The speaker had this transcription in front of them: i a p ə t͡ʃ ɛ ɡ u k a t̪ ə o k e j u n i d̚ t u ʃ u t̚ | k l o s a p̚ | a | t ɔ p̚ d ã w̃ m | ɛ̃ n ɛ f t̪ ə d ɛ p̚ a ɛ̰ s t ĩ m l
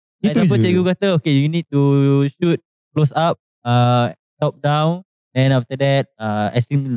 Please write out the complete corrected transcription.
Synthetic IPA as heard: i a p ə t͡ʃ ɛ ɡ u k a t̪ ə o k e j u n i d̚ t u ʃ u t̚ | k l o s a p̚ | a | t ɔ p̚ d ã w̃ n | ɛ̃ n a f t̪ ə d ɛ t̚ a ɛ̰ s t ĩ m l